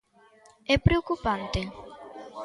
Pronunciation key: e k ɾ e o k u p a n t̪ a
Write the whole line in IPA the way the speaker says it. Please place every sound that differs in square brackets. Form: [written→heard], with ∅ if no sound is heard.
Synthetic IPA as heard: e [k→p] ɾ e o k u p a n t̪ [a→e]